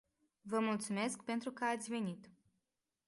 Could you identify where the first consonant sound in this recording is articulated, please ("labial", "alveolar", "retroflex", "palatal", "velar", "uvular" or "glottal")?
labial